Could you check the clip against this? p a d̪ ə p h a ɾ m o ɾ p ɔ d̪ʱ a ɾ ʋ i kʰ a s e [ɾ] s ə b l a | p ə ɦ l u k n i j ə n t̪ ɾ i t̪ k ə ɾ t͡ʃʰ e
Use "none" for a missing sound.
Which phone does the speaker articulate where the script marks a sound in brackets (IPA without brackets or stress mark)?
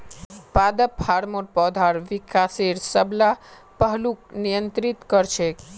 ɾ